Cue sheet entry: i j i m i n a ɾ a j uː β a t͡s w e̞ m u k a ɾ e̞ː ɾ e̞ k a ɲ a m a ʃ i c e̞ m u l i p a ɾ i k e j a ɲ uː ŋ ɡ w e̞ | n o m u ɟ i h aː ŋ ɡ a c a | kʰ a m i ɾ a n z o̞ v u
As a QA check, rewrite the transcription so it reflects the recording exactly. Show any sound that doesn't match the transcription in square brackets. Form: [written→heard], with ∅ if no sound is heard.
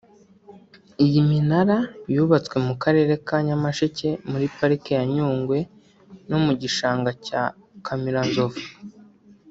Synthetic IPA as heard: i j i m i n a ɾ a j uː β a t͡s w e̞ m u k a ɾ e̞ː ɾ e̞ k a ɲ a m a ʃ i c e̞ m u [l→ɾ] i p a ɾ i k e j a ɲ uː ŋ ɡ w e̞ | n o m u ɟ i [h→ʃ] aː ŋ ɡ a c a | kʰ a m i ɾ a n z o̞ v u